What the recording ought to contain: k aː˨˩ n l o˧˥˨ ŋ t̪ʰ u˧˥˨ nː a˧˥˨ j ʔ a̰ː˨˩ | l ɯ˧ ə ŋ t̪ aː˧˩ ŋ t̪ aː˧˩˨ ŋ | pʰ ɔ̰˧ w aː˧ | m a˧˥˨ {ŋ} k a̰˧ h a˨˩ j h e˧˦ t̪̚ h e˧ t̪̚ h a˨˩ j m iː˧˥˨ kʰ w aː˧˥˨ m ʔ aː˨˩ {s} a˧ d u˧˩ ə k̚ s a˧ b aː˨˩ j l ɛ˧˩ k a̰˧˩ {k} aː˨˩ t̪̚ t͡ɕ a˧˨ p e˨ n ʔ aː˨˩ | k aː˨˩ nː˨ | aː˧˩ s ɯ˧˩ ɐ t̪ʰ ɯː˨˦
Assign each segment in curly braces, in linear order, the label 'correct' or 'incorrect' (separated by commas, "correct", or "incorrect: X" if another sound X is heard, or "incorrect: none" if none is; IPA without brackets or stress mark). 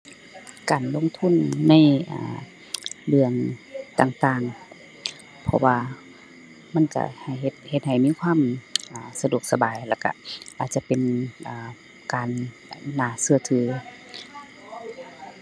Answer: incorrect: n, correct, incorrect: ʔ